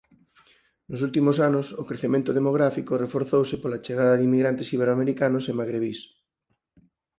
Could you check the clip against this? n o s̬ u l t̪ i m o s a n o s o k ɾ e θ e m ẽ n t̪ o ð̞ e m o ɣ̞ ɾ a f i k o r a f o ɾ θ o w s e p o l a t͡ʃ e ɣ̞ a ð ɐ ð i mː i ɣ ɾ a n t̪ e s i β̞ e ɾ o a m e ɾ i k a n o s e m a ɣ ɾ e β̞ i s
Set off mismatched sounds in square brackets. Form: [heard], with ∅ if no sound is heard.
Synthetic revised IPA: n o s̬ u l t̪ i m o s a n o s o k ɾ e θ e m ẽ n t̪ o ð̞ e m o ɣ̞ ɾ a f i k o r [e] f o ɾ θ o w s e p o l a t͡ʃ e ɣ̞ a ð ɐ ð i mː i ɣ ɾ a n t̪ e s i β̞ e ɾ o a m e ɾ i k a n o s e m a ɣ ɾ e β̞ i s